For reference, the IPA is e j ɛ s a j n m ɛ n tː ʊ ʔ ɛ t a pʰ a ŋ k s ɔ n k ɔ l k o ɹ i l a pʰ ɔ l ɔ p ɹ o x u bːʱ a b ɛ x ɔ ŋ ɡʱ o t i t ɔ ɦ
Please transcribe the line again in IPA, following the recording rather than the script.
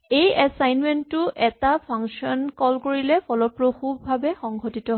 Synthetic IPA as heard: e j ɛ s a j n m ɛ n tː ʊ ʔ ɛ t a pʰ a ŋ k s ɔ n k ɔ l k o ɹ i l ɛ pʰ ɔ l ɔ p ɹ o x u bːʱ a b ɛ x ɔ ŋ ɡʱ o t i t ɔ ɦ